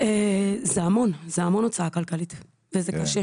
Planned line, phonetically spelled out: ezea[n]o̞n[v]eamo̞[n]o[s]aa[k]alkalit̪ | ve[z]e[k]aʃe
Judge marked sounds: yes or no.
no, no, yes, no, yes, yes, yes

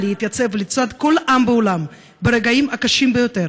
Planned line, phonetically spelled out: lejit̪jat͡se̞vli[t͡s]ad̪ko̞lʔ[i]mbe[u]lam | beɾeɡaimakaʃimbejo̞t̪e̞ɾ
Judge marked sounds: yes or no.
yes, no, no

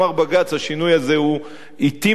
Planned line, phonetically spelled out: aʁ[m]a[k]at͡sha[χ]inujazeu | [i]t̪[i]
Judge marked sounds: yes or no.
no, no, no, yes, yes

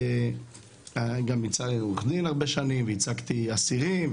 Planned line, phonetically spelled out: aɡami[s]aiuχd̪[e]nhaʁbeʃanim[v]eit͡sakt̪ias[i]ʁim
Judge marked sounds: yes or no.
no, no, yes, yes

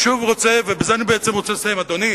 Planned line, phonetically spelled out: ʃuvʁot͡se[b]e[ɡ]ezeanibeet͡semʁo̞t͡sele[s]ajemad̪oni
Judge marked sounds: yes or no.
no, no, yes

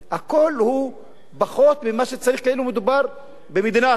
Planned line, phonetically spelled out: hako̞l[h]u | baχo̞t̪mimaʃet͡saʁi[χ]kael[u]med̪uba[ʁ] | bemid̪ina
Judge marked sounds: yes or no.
yes, yes, yes, yes

